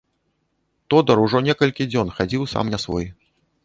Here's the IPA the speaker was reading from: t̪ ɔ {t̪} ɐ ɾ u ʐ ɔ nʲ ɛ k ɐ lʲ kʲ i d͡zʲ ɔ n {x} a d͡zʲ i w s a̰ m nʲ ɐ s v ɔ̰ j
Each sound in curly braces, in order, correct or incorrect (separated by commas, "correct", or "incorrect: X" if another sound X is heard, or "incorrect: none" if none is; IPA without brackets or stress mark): incorrect: d̪, correct